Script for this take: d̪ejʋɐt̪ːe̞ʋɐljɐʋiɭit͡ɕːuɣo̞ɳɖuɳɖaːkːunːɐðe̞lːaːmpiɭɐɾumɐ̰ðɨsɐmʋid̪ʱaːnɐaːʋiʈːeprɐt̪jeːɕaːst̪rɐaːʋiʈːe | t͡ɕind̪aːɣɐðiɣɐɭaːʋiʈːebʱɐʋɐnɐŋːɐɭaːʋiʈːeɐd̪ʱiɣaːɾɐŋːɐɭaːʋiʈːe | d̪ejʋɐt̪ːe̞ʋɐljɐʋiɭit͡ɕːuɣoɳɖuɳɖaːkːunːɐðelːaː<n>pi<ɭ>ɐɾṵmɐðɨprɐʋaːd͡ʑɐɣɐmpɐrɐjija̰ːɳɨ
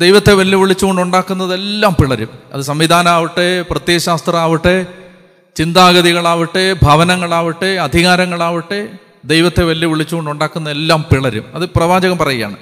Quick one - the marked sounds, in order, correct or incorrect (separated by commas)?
incorrect, correct